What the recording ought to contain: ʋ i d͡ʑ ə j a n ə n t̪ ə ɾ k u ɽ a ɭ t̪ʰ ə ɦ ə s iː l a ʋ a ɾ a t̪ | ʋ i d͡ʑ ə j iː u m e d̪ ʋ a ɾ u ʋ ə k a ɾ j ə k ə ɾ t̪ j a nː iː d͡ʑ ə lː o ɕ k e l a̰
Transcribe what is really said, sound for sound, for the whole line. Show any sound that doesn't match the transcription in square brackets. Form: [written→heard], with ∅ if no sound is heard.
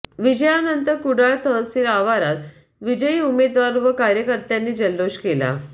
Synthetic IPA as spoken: ʋ i d͡ʑ ə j a n ə n t̪ ə ɾ k u ɽ a ɭ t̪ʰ ə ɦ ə s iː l a ʋ a ɾ a t̪ | ʋ i d͡ʑ ə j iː u m e d̪ ʋ a ɾ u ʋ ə k a ɾ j ə k ə ɾ t̪ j a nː iː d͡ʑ ə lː o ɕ k e l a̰